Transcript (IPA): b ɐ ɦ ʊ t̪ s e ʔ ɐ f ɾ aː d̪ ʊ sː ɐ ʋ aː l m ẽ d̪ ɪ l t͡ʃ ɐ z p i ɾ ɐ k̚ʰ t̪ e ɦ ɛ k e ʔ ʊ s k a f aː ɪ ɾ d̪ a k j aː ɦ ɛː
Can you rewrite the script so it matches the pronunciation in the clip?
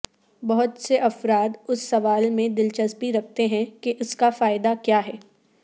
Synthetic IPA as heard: b ɐ ɦ ʊ t̪ s e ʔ ɐ f ɾ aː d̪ ʊ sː ɐ ʋ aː l m ẽ d̪ ɪ l t͡ʃ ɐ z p i ɾ ɐ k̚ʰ t̪ e ɦ ɛ̃ k e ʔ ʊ s k a f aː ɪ d̪ a k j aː ɦ ɛː